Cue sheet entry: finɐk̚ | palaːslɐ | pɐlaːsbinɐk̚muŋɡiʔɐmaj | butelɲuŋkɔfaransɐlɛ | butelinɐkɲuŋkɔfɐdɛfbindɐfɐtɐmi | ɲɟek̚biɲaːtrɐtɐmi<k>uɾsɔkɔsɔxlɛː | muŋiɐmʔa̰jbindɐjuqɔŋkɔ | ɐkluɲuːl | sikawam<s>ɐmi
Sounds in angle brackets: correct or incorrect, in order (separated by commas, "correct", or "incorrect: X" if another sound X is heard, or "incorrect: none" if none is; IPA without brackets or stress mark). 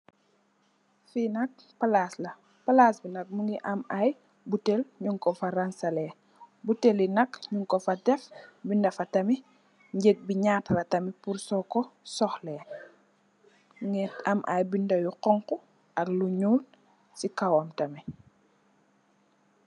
incorrect: p, incorrect: t